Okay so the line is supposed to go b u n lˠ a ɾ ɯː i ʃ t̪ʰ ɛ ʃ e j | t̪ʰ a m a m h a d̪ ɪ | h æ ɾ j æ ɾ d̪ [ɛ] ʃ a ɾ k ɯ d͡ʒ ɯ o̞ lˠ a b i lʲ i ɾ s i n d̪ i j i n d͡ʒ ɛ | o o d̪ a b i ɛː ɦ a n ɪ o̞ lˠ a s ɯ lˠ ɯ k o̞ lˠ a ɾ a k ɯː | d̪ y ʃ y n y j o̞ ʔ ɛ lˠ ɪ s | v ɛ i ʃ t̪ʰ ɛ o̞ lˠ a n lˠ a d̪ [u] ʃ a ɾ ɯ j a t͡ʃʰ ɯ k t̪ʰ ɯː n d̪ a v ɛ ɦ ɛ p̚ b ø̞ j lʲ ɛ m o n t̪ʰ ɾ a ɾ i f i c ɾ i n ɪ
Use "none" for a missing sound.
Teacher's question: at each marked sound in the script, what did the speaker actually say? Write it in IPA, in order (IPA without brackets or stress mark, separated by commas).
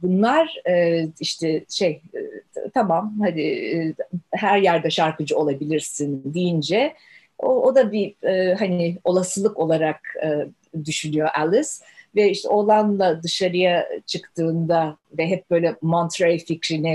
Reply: ɛ, ɯ